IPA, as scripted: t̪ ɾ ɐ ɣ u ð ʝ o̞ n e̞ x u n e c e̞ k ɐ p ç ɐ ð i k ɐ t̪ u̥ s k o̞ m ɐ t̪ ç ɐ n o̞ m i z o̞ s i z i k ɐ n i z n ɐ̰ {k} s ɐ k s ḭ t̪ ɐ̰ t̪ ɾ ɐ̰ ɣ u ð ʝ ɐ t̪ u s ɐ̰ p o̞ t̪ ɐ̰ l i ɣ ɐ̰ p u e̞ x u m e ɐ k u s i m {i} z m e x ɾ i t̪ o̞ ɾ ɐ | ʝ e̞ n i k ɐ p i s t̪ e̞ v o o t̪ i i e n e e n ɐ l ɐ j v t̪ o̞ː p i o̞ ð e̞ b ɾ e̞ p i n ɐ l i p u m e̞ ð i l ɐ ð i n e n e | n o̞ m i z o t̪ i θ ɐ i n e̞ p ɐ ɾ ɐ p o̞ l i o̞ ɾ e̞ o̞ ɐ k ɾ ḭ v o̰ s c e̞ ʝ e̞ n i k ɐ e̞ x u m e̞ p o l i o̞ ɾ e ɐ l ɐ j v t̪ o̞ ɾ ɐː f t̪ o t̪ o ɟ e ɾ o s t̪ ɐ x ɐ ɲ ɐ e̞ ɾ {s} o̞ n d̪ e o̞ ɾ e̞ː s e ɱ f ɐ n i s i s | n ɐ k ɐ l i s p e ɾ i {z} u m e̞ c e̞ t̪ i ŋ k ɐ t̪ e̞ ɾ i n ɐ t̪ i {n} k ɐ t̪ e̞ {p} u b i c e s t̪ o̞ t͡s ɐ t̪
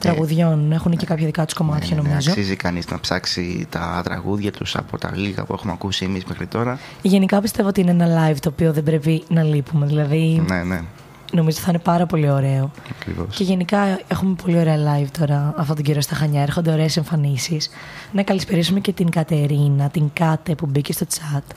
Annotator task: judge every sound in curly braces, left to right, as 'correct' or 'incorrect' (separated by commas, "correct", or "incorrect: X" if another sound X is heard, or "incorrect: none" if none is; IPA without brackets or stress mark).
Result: incorrect: p, correct, incorrect: x, incorrect: s, incorrect: ŋ, correct